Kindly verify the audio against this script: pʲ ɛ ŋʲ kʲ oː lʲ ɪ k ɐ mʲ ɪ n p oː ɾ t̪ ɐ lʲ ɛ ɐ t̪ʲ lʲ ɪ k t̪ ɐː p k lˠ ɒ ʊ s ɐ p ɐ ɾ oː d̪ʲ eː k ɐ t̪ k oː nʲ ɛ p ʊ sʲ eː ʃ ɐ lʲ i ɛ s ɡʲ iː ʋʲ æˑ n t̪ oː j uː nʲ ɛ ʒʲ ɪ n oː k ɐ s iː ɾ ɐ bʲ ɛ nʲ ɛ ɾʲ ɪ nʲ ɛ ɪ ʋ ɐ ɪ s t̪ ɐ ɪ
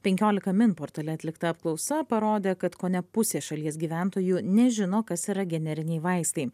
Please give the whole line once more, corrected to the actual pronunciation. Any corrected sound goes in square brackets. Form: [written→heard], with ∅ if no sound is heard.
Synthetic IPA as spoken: pʲ ɛ ŋʲ kʲ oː lʲ ɪ k ɐ mʲ ɪ n p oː ɾ t̪ ɐ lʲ ɛ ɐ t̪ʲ lʲ ɪ k t̪ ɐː p k lˠ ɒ ʊ s ɐ p ɐ ɾ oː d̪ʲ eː k ɐ t̪ k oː nʲ ɛ p ʊ sʲ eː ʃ ɐ lʲ i ɛ s ɡʲ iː ʋʲ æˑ n t̪ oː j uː nʲ ɛ ʒʲ ɪ n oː k ɐ s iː ɾ ɐ [bʲ→ɡʲ] ɛ nʲ ɛ ɾʲ ɪ nʲ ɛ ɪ ʋ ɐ ɪ s t̪ ɐ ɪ